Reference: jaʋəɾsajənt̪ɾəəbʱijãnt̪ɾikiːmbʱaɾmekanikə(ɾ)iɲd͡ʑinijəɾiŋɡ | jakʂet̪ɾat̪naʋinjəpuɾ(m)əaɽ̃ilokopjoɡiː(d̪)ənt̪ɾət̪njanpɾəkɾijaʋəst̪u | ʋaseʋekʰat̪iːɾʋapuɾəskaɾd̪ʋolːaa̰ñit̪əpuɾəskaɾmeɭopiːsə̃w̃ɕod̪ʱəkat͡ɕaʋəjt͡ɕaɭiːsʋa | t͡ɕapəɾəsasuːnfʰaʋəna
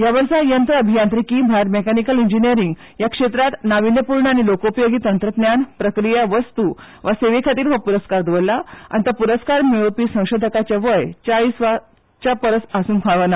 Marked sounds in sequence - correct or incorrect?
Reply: incorrect, incorrect, incorrect

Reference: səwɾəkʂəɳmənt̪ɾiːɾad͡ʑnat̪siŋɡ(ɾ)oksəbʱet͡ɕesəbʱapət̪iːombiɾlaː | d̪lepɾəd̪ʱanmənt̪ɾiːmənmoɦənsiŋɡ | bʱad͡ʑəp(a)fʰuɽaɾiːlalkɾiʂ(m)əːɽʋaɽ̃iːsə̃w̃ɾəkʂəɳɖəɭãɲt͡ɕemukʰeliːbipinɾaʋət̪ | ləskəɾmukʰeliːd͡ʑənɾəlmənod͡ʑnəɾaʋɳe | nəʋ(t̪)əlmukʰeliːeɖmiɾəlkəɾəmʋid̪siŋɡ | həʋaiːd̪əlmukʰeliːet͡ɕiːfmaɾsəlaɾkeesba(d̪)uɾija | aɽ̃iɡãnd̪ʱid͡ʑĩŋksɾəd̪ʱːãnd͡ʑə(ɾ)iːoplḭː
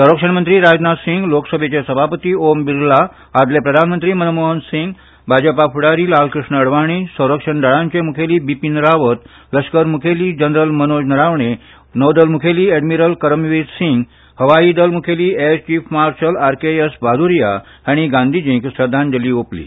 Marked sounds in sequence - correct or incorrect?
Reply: incorrect, correct, incorrect, incorrect, correct, incorrect

